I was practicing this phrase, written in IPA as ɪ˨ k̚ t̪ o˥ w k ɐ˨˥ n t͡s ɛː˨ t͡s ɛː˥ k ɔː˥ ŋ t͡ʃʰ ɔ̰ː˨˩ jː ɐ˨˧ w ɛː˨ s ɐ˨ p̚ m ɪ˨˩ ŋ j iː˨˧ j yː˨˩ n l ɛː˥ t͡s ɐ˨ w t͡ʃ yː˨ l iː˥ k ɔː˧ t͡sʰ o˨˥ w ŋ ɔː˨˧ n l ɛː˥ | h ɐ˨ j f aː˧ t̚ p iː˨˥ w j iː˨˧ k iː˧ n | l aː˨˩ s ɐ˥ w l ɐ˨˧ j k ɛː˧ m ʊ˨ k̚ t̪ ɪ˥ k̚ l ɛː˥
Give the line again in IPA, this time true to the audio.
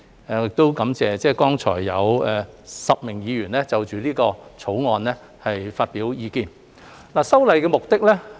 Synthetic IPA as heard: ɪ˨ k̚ t̪ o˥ w k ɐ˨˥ m t͡s ɛː˨ t͡s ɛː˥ k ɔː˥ ŋ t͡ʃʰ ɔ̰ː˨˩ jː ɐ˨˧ w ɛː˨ s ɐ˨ p̚ m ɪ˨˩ ŋ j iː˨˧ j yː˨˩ n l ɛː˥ t͡s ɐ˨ w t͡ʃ yː˨ l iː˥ k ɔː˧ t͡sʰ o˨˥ w ŋ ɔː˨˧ n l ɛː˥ | h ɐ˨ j f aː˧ t̚ p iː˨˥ w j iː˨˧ k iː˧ n | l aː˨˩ s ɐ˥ w l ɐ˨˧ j k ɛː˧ m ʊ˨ k̚ t̪ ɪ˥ k̚ l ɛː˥